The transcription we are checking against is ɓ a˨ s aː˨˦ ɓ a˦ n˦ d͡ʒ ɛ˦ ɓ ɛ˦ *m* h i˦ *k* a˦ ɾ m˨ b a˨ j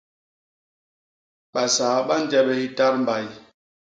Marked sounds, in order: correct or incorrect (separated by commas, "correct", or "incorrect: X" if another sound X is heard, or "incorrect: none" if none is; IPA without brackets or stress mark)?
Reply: incorrect: none, incorrect: t